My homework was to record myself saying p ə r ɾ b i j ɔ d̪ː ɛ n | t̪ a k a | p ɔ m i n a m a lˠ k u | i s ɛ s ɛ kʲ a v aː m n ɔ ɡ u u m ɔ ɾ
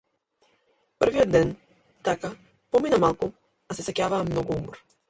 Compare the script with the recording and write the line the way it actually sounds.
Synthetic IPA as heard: p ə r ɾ v i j ɔ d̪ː ɛ n | t̪ a k a | p ɔ m i n a m a lˠ k u | a s ɛ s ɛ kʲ a v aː m n ɔ ɡ u u m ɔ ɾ